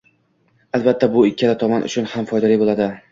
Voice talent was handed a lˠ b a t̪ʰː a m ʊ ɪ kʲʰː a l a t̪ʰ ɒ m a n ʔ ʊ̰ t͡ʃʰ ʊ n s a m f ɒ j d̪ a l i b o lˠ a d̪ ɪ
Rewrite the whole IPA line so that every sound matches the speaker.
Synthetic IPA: a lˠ b a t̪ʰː a b ʊ ɪ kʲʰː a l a t̪ʰ ɒ m a n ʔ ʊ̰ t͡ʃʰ ʊ n h a m f ɒ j d̪ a l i b o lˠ a d̪ ɪ